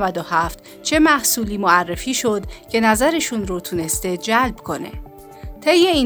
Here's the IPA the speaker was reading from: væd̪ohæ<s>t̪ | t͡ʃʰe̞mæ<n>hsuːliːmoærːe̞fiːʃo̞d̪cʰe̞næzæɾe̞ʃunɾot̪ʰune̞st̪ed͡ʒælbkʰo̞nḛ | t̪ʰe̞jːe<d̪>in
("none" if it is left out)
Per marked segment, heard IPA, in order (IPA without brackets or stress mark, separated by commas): f, none, none